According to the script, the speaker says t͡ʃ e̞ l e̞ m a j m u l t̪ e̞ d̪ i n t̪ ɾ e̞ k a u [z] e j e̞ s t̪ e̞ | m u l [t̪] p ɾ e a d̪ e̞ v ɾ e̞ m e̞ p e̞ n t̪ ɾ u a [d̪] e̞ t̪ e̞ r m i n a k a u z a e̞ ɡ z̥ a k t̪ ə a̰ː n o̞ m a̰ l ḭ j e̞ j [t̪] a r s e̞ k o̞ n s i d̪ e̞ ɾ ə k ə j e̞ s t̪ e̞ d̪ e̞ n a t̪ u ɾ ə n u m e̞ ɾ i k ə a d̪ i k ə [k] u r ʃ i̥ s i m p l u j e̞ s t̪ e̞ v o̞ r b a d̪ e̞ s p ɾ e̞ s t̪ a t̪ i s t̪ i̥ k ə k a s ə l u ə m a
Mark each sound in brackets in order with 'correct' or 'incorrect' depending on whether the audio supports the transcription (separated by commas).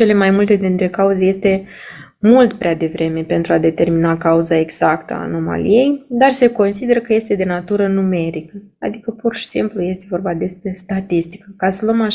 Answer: correct, correct, correct, incorrect, incorrect